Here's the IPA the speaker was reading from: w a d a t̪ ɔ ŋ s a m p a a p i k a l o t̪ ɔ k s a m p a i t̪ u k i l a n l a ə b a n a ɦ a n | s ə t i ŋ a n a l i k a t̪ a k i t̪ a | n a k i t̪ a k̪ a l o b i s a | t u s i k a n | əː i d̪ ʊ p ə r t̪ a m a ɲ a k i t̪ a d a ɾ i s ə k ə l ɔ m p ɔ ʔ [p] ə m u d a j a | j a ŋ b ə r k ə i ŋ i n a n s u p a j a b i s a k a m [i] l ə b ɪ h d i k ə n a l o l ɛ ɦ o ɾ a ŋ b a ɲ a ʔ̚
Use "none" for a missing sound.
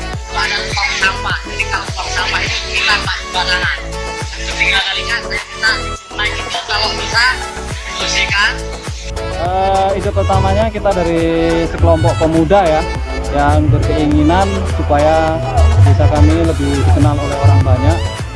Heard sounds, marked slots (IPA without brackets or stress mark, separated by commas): p, i